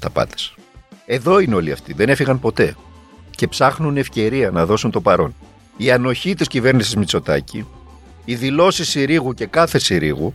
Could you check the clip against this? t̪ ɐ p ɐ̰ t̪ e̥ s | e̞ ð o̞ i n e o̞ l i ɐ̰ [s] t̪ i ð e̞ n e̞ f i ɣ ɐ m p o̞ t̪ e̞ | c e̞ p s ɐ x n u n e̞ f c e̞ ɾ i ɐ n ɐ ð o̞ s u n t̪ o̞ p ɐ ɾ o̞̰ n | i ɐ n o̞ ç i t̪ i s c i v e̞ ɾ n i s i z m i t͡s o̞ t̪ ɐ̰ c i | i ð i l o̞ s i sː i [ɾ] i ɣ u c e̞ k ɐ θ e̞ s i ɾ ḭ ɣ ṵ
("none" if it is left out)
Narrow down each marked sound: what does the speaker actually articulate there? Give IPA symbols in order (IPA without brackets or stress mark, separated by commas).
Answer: f, ɾ